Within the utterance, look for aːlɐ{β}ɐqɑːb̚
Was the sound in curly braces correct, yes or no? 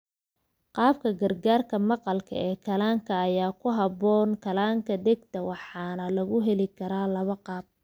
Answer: yes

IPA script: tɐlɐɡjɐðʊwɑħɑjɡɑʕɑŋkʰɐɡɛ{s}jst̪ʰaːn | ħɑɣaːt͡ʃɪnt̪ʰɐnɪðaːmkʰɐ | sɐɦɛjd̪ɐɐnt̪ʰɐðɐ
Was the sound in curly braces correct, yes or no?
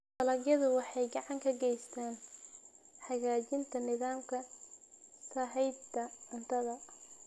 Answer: no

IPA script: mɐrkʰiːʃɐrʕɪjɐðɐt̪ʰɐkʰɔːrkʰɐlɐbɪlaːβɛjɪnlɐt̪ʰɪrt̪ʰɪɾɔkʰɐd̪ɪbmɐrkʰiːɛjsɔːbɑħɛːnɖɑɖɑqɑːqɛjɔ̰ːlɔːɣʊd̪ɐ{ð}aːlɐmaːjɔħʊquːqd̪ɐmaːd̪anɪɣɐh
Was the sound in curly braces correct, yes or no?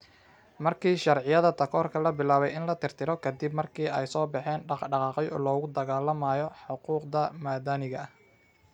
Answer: no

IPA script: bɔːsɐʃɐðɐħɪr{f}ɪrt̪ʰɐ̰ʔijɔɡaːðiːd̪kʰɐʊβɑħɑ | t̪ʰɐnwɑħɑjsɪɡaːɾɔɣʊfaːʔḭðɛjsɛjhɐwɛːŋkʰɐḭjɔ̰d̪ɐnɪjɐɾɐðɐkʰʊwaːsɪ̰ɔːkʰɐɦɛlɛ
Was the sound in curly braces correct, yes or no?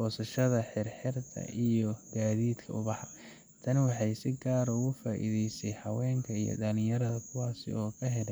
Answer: no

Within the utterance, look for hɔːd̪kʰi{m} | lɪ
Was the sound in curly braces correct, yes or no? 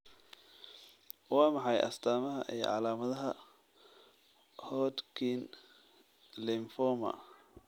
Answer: no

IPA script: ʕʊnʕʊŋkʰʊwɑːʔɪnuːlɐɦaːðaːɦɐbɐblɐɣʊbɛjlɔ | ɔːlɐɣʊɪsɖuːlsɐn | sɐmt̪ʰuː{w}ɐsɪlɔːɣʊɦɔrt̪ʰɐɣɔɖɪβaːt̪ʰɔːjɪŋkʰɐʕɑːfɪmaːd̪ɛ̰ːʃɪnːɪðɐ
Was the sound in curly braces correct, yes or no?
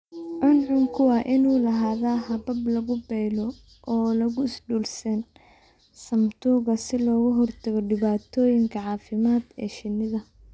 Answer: no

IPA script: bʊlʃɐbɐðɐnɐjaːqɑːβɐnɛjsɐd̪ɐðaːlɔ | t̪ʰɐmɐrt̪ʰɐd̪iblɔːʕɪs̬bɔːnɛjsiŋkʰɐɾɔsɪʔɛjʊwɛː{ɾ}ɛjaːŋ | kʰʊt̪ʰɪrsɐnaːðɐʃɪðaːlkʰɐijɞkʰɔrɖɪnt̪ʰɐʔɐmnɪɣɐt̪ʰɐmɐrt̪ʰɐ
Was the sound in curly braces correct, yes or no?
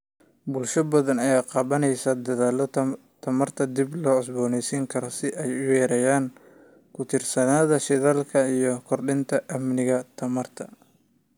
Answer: yes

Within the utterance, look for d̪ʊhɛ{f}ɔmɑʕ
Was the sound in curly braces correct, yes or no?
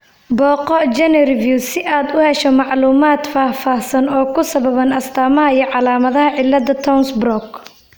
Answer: no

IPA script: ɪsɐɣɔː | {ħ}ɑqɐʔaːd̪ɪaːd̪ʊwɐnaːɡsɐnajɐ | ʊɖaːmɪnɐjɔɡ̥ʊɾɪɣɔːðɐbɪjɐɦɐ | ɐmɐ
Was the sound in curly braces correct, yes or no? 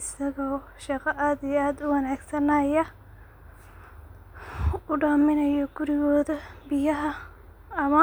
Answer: no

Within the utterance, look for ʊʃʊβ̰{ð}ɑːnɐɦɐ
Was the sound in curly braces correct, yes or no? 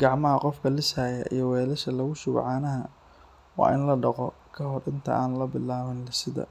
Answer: no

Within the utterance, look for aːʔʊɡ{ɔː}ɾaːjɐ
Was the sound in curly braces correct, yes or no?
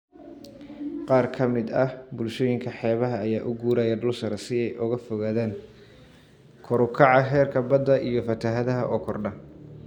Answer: no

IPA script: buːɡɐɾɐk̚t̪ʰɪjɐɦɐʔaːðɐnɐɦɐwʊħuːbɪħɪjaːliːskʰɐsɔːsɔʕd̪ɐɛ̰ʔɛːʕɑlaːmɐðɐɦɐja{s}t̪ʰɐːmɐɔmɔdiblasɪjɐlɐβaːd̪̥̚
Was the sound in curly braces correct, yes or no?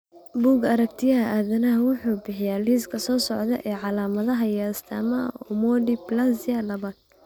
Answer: yes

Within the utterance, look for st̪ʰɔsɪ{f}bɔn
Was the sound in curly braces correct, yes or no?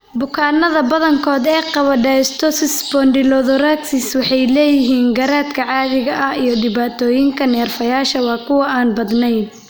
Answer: no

